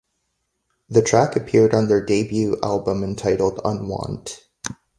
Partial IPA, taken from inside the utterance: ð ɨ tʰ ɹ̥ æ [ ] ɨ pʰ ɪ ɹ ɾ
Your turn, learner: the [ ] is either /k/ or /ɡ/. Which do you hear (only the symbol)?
k